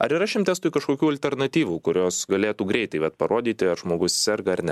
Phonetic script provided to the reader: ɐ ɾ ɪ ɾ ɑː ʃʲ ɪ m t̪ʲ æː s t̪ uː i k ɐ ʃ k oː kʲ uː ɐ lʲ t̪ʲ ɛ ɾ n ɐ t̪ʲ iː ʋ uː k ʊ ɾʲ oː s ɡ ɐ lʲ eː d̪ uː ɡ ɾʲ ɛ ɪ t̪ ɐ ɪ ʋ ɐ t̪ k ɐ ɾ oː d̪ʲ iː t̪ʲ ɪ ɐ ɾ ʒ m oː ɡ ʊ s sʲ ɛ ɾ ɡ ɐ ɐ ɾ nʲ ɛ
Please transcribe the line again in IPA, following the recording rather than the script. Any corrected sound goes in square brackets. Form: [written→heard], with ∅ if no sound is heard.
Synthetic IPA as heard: ɐ ɾ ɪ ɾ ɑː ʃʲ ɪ m t̪ʲ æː s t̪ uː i k ɐ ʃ k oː kʲ uː ɐ lʲ t̪ʲ ɛ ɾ n ɐ t̪ʲ iː ʋ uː k ʊ ɾʲ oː s ɡ ɐ lʲ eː [d̪→t̪] uː ɡ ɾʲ ɛ ɪ t̪ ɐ ɪ ʋ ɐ t̪ [k→p] ɐ ɾ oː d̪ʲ iː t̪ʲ ɪ ɐ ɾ ʒ m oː ɡ ʊ s sʲ ɛ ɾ ɡ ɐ ɐ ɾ nʲ ɛ